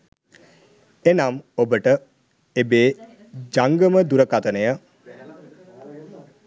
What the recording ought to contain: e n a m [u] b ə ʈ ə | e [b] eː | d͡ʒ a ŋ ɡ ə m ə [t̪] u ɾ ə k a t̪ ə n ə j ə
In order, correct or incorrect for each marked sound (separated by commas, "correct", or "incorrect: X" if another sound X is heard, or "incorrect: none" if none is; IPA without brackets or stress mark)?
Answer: incorrect: o, correct, incorrect: d̪